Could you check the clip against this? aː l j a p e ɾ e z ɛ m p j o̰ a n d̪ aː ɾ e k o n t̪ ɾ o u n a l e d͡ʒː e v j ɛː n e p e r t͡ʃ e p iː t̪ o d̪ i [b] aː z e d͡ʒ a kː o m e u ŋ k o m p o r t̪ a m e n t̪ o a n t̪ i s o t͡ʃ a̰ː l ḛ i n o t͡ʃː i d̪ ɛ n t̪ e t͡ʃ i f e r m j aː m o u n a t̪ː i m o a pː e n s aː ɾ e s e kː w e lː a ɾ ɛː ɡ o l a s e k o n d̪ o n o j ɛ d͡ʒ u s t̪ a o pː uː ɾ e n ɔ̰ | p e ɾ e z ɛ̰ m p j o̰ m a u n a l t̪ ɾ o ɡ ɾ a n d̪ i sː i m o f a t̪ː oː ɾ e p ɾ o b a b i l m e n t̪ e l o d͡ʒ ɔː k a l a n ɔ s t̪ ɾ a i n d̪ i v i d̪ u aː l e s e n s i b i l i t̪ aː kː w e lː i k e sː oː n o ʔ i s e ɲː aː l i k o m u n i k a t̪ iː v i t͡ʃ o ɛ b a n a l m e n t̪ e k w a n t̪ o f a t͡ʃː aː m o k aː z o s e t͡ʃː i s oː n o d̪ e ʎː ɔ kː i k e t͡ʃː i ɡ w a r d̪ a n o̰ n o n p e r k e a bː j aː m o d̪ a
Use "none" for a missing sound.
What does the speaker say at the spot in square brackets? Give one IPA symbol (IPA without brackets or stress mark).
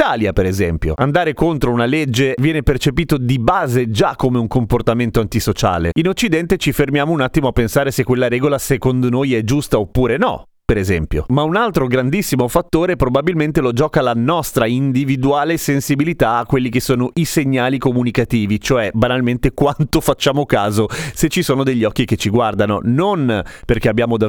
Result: b